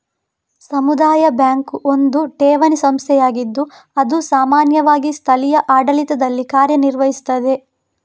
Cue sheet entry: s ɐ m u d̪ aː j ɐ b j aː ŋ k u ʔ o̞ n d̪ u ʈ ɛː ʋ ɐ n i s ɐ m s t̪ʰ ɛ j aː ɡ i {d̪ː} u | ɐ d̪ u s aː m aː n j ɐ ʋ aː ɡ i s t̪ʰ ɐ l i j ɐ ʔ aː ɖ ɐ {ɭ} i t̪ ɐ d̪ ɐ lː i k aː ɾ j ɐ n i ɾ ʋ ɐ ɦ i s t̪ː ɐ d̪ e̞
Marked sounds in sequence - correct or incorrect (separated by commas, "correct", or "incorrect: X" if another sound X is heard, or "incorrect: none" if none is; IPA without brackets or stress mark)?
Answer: correct, incorrect: l